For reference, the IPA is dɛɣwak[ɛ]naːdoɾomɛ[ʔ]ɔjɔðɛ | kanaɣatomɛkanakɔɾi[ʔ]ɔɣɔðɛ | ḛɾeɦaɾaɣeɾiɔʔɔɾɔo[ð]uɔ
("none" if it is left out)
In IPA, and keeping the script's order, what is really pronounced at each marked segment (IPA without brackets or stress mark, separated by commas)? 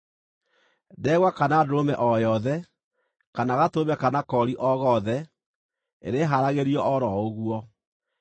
a, ʔ, ʔ, ɣ